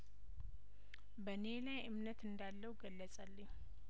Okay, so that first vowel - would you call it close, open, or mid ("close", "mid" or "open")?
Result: mid